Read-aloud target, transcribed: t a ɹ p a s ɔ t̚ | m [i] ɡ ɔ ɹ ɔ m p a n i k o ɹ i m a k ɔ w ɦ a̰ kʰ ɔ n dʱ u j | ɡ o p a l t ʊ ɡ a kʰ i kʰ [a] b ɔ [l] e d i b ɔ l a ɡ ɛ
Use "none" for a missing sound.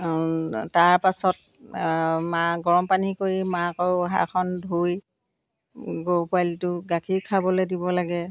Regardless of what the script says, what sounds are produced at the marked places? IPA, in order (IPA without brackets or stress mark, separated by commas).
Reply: a, a, l